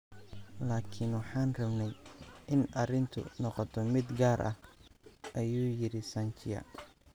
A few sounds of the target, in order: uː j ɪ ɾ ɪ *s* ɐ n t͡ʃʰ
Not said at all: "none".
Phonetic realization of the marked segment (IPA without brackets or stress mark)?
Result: s